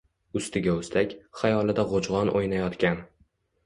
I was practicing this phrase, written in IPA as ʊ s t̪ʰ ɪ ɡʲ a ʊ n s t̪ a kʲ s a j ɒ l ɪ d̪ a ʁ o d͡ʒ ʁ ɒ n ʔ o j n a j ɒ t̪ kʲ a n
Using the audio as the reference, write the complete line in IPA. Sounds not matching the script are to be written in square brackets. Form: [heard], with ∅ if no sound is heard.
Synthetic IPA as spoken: ʊ s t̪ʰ ɪ ɡʲ a ʊ [∅] s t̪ a kʲ [χ] a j ɒ l ɪ d̪ a ʁ o d͡ʒ ʁ ɒ n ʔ o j n a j ɒ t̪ kʲ a n